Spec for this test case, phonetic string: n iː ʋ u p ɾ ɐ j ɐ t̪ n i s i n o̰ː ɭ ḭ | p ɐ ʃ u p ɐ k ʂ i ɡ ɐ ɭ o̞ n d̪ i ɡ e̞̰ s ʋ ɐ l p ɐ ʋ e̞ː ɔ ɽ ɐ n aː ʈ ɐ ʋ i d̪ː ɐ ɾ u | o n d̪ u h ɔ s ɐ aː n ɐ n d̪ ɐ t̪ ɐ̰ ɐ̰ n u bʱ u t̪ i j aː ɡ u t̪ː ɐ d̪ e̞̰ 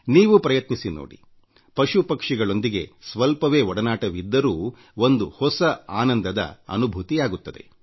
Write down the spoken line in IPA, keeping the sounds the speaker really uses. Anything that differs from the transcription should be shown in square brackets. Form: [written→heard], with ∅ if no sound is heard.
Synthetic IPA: n iː ʋ u p ɾ ɐ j ɐ t̪ n i s i n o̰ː [ɭ→ɽ] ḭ | p ɐ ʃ u p ɐ k ʂ i ɡ ɐ ɭ o̞ n d̪ i ɡ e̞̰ s ʋ ɐ l p ɐ ʋ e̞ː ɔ ɽ ɐ n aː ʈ ɐ ʋ i d̪ː ɐ ɾ [u→uː] | o n d̪ u h ɔ s ɐ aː n ɐ n d̪ ɐ [t̪→d̪] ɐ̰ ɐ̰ n u bʱ u t̪ i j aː ɡ u t̪ː ɐ d̪ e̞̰

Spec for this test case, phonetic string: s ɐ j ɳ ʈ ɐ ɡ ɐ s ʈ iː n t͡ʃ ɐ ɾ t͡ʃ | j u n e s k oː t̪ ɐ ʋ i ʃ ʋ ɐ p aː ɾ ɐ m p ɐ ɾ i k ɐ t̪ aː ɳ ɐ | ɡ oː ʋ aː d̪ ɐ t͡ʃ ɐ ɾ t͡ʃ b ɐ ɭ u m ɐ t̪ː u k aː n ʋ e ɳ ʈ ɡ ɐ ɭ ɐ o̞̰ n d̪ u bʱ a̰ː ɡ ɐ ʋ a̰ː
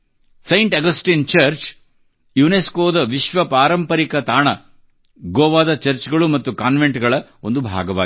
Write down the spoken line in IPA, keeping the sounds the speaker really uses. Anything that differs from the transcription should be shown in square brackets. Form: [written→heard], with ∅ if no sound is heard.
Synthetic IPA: s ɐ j ɳ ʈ ɐ ɡ ɐ s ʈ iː n t͡ʃ ɐ ɾ t͡ʃ | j u n e s k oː [t̪→d̪] ɐ ʋ i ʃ ʋ ɐ p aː ɾ ɐ m p ɐ ɾ i k ɐ t̪ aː ɳ ɐ | ɡ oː ʋ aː d̪ ɐ t͡ʃ ɐ ɾ t͡ʃ [b→ɡ] ɐ ɭ u m ɐ t̪ː u k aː n ʋ e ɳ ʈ ɡ ɐ ɭ ɐ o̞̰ n d̪ u bʱ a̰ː ɡ ɐ ʋ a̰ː

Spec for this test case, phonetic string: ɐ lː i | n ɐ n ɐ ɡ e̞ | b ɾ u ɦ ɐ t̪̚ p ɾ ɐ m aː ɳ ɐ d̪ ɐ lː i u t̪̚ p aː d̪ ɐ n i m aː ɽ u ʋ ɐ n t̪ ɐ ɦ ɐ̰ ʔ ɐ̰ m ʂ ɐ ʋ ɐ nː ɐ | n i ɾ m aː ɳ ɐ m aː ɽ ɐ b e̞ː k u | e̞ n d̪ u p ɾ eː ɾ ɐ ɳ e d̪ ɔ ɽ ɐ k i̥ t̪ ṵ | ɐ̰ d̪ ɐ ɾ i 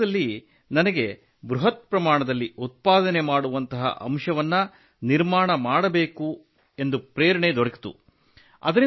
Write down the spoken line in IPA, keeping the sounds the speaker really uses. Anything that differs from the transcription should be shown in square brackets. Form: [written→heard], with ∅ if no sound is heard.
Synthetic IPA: ɐ lː i | n ɐ n ɐ ɡ e̞ | b ɾ u ɦ ɐ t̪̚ p ɾ ɐ m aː ɳ ɐ d̪ ɐ lː i u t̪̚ p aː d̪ ɐ n [i→e] m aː ɽ u ʋ ɐ n t̪ ɐ ɦ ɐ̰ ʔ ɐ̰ m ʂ ɐ ʋ ɐ nː ɐ | n i ɾ m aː ɳ ɐ m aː ɽ ɐ b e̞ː k u | e̞ n d̪ u p ɾ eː ɾ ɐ ɳ e d̪ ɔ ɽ ɐ k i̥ t̪ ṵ | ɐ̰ d̪ ɐ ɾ i

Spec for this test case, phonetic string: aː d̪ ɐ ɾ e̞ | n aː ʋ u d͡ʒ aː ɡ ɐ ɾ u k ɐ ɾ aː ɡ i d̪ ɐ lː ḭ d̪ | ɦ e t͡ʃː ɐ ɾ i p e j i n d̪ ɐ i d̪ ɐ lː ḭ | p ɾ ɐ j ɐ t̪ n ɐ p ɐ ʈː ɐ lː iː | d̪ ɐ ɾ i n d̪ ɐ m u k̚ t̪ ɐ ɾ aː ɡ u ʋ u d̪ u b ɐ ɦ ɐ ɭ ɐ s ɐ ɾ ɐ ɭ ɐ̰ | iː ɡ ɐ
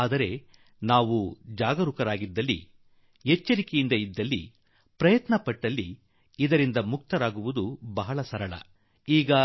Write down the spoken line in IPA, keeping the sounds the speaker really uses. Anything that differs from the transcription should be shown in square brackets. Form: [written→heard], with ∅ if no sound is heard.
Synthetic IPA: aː d̪ ɐ ɾ e̞ | n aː ʋ u d͡ʒ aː ɡ ɐ ɾ u k ɐ ɾ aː ɡ i [d̪→d̪ː] ɐ lː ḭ [d̪→∅] | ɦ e t͡ʃː ɐ ɾ i [p→k] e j i n d̪ ɐ i [d̪→d̪ː] ɐ lː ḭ | p ɾ ɐ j ɐ t̪ n ɐ p ɐ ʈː ɐ lː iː | d̪ ɐ ɾ i n d̪ ɐ m u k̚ t̪ ɐ ɾ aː ɡ u ʋ u d̪ u b ɐ ɦ ɐ ɭ ɐ s ɐ ɾ ɐ ɭ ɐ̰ | iː ɡ ɐ

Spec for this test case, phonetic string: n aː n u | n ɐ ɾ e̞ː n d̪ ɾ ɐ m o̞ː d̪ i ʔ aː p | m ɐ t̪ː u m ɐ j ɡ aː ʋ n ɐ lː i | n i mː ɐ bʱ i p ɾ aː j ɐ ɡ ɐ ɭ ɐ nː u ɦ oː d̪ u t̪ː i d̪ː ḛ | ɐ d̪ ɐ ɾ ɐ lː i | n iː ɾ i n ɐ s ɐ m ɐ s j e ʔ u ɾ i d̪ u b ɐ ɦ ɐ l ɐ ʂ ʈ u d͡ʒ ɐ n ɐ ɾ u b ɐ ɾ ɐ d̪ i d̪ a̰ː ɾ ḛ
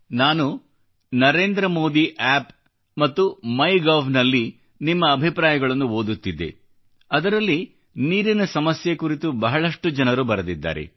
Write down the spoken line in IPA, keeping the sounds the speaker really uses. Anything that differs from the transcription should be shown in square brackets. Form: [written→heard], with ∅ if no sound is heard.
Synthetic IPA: n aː n u | n ɐ ɾ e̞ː n d̪ ɾ ɐ m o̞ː d̪ i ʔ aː p | m ɐ t̪ː u m ɐ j ɡ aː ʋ n ɐ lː i | n i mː [ɐ→ɐː] bʱ i p ɾ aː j ɐ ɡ ɐ ɭ ɐ nː u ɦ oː d̪ u t̪ː i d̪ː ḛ | ɐ d̪ ɐ ɾ ɐ lː i | n iː ɾ i n ɐ s ɐ m ɐ s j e [ʔ→k] u ɾ i [d̪→t̪] u b ɐ ɦ ɐ [l→ɭ] ɐ ʂ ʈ u d͡ʒ ɐ n ɐ ɾ u b ɐ ɾ ɐ d̪ i [d̪→d̪ː] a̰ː ɾ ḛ

